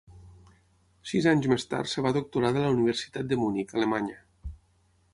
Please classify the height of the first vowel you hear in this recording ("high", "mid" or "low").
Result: high